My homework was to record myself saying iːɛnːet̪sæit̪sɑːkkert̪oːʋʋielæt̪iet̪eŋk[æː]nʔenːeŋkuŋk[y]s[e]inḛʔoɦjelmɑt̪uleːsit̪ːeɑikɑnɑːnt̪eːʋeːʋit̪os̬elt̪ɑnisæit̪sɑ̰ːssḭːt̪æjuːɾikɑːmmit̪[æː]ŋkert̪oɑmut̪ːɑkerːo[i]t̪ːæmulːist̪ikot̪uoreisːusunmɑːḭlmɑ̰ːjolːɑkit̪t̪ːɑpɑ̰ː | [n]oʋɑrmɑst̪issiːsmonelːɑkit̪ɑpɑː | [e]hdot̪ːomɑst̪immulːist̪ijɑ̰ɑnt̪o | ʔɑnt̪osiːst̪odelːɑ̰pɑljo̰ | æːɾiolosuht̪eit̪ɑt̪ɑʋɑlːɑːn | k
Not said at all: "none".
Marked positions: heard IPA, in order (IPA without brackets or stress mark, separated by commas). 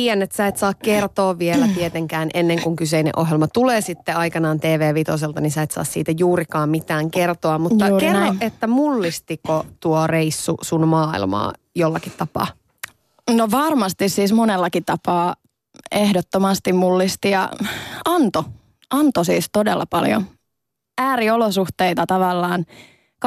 æː, y, e, æː, e, n, e